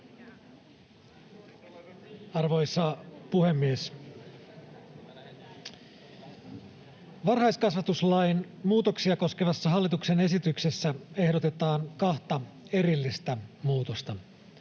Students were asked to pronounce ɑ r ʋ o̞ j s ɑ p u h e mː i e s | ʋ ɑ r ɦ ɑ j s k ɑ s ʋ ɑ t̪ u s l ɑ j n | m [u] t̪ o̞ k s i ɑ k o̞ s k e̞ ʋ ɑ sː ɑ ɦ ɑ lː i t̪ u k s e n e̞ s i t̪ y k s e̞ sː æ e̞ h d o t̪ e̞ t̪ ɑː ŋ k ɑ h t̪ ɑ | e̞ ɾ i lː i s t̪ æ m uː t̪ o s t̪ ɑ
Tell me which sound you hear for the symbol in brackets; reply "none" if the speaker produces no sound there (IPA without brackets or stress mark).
uː